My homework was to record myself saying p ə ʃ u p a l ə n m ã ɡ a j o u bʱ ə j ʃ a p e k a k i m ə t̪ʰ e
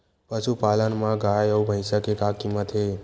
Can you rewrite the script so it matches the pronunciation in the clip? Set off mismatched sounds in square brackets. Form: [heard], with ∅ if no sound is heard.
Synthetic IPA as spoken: p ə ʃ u p a l ə n m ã ɡ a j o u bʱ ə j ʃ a [k] e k a k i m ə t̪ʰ e